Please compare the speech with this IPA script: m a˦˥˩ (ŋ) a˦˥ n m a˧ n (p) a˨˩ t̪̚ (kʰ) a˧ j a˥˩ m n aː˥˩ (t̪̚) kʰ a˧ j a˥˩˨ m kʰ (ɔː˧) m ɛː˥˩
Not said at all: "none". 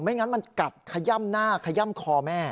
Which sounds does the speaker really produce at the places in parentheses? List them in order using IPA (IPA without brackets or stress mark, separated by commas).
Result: ŋ, k, kʰ, none, ɔː˧